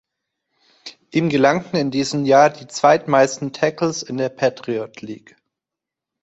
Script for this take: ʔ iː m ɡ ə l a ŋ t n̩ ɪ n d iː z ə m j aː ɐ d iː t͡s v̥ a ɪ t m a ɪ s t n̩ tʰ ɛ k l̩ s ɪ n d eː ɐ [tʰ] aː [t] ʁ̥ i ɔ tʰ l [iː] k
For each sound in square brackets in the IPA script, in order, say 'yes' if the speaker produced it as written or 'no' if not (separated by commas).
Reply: no, yes, yes